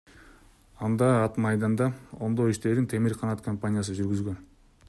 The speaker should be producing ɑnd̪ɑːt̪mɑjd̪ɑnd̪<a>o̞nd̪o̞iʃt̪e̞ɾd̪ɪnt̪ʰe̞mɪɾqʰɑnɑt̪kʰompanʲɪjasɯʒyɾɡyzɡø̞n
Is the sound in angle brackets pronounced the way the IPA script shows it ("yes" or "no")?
no